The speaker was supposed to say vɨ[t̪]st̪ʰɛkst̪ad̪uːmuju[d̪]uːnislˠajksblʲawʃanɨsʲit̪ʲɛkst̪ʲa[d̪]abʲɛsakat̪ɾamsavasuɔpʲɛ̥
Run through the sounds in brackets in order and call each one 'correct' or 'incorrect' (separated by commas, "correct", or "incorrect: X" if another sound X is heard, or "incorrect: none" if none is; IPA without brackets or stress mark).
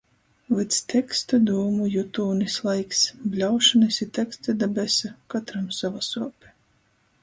correct, incorrect: t̪, correct